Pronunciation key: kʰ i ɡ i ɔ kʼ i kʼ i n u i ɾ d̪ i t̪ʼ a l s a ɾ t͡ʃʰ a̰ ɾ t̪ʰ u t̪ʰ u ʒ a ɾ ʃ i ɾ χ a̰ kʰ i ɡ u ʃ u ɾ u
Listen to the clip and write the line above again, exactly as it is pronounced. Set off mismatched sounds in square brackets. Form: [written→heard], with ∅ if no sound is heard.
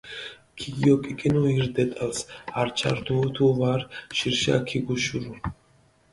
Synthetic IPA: kʰ i ɡ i ɔ kʼ i kʼ i n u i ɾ d̪ [i→ɛ] t̪ʼ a l s a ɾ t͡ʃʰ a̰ ɾ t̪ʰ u t̪ʰ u [ʒ→v] a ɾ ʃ i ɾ [χ→ʃ] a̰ kʰ i ɡ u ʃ u ɾ u

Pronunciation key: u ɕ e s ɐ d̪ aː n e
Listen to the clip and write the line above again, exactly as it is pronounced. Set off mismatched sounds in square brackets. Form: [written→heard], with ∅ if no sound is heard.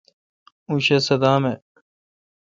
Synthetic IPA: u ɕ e s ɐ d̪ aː [n→m] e

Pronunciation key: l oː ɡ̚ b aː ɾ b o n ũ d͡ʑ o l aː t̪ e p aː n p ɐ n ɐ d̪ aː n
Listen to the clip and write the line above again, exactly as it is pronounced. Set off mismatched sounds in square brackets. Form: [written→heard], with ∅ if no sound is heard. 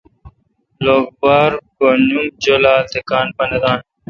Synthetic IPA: l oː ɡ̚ b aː ɾ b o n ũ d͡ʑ o l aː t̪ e [p→k] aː n p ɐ n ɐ d̪ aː n

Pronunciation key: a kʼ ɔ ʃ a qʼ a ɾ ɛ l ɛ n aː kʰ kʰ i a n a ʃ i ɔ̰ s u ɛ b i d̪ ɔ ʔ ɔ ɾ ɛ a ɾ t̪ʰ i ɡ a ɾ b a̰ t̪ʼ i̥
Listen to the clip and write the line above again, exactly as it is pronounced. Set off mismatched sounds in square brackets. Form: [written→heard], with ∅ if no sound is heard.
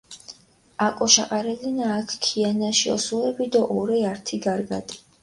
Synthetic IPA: a kʼ ɔ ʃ a qʼ a ɾ ɛ l [ɛ→i] n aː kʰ kʰ i a n a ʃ i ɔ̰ s u ɛ b i d̪ ɔ ʔ ɔ ɾ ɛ a ɾ t̪ʰ i ɡ a ɾ [b→ɡ] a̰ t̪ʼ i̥

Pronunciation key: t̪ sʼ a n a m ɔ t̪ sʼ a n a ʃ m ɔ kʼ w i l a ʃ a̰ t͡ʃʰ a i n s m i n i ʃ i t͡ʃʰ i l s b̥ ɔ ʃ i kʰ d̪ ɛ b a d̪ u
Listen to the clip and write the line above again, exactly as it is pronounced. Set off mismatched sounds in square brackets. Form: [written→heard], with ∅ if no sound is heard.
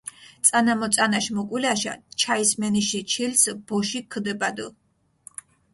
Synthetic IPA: t̪ sʼ a n a m ɔ t̪ sʼ a n a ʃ m ɔ kʼ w i l a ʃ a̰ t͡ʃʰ a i [n→∅] s m [i→ɛ] n i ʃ i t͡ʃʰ i l s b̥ ɔ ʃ i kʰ d̪ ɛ b a d̪ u

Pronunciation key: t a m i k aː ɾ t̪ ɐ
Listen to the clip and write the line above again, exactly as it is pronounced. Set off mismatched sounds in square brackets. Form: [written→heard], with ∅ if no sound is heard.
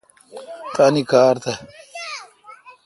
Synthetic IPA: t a [m→n] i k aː ɾ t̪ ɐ

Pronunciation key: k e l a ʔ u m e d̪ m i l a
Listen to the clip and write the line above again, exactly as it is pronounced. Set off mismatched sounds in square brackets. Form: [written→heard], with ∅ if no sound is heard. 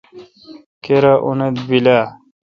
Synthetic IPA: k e [l→ɾ] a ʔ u [m→n] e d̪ [m→b] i l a

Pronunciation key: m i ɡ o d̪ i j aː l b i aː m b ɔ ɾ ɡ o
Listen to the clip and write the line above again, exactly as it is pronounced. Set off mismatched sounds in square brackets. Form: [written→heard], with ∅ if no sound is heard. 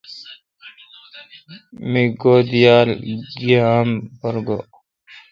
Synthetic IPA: m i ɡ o d̪ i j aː l [b→ɡ] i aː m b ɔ ɾ ɡ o

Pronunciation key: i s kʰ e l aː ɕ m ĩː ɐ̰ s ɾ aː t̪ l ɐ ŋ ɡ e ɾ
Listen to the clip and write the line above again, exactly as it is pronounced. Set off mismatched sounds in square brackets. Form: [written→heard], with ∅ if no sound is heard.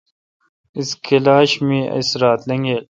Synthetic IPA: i s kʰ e l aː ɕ m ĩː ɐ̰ s ɾ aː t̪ l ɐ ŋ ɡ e [ɾ→l]

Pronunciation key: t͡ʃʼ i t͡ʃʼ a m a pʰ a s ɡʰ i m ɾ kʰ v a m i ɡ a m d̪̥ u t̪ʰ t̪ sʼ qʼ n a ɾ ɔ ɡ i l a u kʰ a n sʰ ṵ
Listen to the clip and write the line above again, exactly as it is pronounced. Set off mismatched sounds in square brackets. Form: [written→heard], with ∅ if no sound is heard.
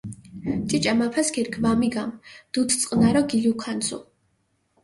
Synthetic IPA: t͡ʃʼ i t͡ʃʼ a m a pʰ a s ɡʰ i [m→∅] ɾ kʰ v a m i ɡ a m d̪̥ u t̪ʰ t̪ sʼ qʼ n a ɾ ɔ ɡ i l [a→i] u kʰ a n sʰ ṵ

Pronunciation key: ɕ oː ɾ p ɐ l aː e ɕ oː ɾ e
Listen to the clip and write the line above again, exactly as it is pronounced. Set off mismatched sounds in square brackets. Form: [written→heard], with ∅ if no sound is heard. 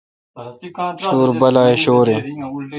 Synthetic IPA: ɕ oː ɾ [p→b] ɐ l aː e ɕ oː ɾ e

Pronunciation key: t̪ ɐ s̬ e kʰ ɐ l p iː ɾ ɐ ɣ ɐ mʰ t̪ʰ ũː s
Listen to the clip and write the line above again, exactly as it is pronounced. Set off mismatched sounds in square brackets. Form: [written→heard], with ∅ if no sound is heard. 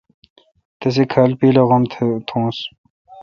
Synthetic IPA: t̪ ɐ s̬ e kʰ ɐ l p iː [ɾ→l] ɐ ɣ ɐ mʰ t̪ʰ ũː s

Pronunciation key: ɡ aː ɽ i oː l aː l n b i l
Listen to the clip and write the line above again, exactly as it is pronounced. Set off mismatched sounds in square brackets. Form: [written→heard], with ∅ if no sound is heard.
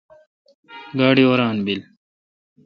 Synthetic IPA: ɡ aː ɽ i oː [l→ɾ] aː [l→∅] n b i l

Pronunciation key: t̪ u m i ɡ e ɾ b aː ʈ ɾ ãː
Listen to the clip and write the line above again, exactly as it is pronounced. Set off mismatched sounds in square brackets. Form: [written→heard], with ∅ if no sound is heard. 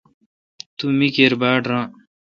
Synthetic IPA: t̪ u m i [ɡ→k] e ɾ b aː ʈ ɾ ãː

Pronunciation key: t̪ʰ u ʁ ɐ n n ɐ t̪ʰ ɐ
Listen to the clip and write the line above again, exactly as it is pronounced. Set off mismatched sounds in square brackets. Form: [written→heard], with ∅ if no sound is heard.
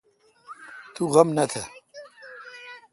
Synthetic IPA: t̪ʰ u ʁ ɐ [n→m] n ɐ t̪ʰ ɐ

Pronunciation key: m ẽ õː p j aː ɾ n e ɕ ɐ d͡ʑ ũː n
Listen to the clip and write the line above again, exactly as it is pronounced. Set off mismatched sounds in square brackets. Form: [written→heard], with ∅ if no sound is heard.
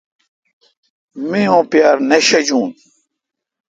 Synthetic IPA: m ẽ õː p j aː ɾ n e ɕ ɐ d͡ʑ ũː n

